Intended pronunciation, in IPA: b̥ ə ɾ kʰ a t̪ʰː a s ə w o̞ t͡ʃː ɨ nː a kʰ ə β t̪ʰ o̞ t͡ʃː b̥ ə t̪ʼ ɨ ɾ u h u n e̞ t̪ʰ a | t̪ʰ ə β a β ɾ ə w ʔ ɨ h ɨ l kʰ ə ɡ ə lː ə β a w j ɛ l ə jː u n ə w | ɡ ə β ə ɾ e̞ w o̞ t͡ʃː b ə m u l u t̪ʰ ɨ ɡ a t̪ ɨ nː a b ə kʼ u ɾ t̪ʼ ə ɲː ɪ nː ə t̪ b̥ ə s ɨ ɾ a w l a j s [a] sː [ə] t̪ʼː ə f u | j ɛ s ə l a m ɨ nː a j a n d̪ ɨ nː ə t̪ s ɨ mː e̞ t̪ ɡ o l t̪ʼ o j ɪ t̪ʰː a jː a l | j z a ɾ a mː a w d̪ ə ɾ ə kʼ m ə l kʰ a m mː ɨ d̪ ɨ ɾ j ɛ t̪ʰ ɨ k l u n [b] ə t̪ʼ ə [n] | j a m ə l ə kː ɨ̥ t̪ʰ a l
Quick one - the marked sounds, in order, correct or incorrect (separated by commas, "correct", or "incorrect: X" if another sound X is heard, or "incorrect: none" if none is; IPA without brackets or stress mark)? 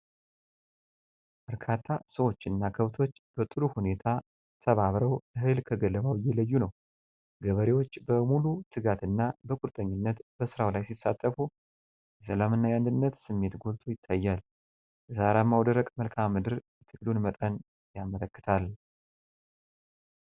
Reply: incorrect: i, incorrect: a, incorrect: m, correct